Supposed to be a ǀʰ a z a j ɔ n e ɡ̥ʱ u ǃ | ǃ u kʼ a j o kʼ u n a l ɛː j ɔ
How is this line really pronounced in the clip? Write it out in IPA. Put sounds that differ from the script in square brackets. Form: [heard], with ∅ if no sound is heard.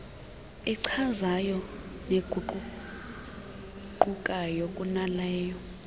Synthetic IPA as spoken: [ɛ] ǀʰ a z a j ɔ n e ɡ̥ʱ u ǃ | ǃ u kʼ a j o kʼ u n a l ɛː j ɔ